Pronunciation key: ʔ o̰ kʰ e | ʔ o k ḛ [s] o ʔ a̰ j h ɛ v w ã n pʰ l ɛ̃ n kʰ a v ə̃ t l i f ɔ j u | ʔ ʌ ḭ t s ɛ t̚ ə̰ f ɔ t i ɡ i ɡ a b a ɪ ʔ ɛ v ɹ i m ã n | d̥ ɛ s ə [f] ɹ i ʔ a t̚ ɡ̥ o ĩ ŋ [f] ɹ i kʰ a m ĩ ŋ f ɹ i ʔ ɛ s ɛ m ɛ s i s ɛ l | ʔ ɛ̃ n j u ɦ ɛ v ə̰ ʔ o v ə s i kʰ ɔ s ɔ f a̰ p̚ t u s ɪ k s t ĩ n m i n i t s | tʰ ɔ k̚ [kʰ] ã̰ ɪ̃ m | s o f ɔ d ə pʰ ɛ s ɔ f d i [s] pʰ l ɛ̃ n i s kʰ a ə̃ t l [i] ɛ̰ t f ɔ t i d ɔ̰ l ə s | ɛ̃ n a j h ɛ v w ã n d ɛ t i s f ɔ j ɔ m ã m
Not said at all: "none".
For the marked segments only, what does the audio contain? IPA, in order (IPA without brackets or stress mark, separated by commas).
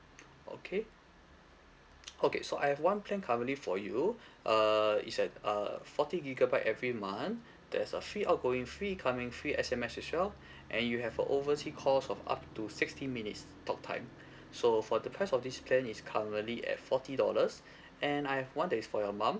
s, f, f, tʰ, s, i